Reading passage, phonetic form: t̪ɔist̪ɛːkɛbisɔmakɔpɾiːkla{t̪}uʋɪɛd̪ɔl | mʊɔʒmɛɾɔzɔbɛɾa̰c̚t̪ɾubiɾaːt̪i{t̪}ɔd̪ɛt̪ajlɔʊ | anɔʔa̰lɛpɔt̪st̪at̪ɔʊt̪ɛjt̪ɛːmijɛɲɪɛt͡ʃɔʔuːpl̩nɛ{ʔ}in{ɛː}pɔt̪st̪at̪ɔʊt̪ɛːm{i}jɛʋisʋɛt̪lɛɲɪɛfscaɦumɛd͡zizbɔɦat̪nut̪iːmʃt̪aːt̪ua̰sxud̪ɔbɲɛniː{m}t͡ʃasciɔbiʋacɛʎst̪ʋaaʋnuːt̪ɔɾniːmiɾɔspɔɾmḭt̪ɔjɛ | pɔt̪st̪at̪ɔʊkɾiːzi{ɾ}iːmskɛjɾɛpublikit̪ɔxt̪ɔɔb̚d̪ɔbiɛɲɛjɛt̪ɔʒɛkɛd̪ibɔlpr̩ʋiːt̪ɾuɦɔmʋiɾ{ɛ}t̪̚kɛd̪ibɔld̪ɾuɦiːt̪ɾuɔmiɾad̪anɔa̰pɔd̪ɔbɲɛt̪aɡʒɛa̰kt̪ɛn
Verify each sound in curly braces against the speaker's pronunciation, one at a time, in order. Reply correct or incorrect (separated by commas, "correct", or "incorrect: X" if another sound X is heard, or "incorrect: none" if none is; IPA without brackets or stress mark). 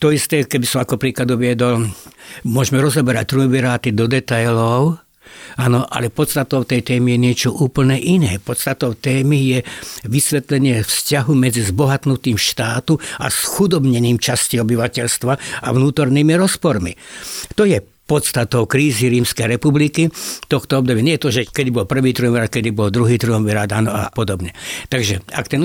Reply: incorrect: d̪, incorrect: d̪, correct, correct, correct, correct, correct, incorrect: a